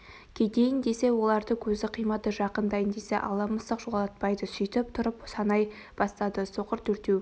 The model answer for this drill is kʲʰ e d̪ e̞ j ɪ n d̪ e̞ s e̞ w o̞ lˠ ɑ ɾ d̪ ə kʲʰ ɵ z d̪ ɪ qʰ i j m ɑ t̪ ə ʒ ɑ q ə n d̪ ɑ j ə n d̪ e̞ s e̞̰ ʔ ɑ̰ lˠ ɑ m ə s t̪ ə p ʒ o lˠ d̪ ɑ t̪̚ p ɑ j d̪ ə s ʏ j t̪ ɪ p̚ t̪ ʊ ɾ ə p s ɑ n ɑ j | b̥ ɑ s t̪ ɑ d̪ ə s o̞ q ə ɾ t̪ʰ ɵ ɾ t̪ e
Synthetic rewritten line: kʲʰ e d̪ e̞ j ɪ n d̪ e̞ s e̞ w o̞ lˠ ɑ ɾ d̪ ə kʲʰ ɵ z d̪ ɪ qʰ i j m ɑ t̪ ə ʒ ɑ q ə n d̪ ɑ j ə n d̪ e̞ s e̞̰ ʔ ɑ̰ lˠ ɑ m ə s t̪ ə q ʒ o lˠ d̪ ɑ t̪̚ p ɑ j d̪ ə s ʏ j t̪ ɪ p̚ t̪ʰ ʊ ɾ ə p s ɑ n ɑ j | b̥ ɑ s t̪ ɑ d̪ ə s o̞ q ə ɾ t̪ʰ ɵ ɾ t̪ e